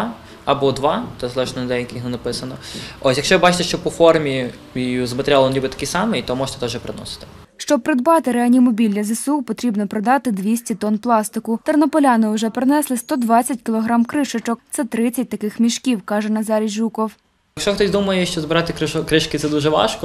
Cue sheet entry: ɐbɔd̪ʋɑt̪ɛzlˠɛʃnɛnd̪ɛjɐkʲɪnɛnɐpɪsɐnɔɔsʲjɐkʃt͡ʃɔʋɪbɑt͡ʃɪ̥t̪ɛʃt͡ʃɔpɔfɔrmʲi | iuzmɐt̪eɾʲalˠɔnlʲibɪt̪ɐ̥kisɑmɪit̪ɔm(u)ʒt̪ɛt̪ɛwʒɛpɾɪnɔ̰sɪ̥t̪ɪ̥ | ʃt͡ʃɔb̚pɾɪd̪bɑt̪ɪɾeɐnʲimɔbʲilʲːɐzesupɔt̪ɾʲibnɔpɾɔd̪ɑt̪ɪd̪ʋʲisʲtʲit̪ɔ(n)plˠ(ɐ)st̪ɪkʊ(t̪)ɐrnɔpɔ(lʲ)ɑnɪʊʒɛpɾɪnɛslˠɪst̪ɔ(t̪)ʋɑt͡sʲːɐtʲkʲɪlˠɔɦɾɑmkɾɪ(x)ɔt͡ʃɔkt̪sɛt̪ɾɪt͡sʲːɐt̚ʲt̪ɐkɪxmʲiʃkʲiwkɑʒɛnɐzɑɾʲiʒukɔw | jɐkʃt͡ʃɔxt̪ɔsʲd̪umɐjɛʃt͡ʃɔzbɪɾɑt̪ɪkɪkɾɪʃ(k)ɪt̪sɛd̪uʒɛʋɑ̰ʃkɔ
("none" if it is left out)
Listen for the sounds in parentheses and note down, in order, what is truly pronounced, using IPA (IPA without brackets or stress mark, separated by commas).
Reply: ɔ, n, ɑ, t̪, lʲ, d̪, ʃ, k